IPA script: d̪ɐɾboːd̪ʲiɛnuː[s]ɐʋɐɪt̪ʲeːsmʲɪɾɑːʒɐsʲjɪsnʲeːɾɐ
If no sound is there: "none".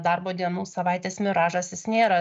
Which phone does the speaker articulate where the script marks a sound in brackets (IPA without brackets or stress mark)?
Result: s